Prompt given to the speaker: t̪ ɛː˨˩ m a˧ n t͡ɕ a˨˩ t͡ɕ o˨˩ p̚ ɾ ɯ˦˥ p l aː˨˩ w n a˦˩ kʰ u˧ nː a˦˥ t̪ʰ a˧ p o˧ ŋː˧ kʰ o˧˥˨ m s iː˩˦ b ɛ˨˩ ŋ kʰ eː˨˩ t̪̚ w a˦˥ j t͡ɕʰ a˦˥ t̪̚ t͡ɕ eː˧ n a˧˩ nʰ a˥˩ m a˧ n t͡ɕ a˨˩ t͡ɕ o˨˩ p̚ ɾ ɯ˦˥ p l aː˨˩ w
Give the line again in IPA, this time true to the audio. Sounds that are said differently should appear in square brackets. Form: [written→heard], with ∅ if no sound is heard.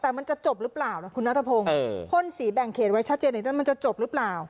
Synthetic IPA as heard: t̪ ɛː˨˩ m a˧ n t͡ɕ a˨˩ t͡ɕ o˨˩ p̚ ɾ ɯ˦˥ p l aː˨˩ w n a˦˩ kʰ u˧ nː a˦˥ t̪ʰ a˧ [p→pʰ] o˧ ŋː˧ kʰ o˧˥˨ [m→n] s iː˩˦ b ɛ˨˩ ŋ kʰ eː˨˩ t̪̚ w a˦˥ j t͡ɕʰ a˦˥ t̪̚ t͡ɕ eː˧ n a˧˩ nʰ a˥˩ m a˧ n t͡ɕ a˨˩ t͡ɕ o˨˩ p̚ ɾ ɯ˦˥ p l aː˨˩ w